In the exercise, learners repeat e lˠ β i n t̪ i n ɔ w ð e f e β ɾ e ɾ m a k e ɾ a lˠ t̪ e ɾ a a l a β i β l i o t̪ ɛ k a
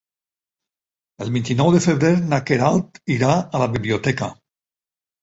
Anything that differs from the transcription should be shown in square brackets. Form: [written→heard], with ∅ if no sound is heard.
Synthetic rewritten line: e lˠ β i n t̪ i n ɔ w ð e f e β ɾ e ɾ [m→n] a k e ɾ a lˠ t̪ [e→i] ɾ a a l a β i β l i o t̪ ɛ k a